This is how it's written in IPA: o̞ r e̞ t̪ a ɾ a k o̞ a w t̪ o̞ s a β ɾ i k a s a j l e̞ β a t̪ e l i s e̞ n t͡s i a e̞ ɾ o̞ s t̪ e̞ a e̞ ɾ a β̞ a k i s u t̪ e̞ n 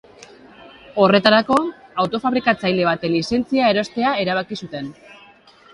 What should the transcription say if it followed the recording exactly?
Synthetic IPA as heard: o̞ r e̞ t̪ a ɾ a k o̞ a w t̪ o̞ f a β ɾ i k a t͡s a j l e̞ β a t̪ e l i s e̞ n t͡s i a e̞ ɾ o̞ s t̪ e̞ a e̞ ɾ a β̞ a k i s u t̪ e̞ n